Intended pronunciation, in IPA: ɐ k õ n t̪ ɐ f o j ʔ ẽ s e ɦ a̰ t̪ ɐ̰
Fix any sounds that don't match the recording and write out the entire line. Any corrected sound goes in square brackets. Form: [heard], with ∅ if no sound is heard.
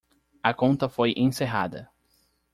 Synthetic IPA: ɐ k õ n t̪ ɐ f o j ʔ ẽ s e ɦ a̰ [d̪] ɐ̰